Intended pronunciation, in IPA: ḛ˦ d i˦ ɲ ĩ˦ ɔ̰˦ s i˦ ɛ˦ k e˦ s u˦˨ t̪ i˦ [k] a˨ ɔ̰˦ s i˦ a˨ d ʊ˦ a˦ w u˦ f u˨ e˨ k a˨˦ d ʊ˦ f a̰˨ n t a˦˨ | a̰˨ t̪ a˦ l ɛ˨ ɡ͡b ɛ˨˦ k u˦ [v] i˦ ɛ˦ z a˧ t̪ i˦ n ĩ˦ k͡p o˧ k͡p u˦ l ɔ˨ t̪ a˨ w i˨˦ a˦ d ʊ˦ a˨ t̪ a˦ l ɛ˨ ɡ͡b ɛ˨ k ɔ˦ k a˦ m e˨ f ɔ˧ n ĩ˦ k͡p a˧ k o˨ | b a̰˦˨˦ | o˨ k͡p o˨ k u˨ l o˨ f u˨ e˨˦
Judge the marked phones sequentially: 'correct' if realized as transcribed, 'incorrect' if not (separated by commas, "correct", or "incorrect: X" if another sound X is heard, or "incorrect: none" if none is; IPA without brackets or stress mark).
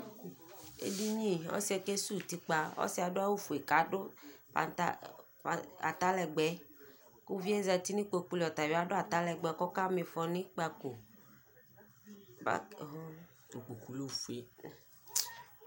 incorrect: k͡p, correct